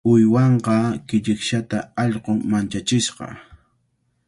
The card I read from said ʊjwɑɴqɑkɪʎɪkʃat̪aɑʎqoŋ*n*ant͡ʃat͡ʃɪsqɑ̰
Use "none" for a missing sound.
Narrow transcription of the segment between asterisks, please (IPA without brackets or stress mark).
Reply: m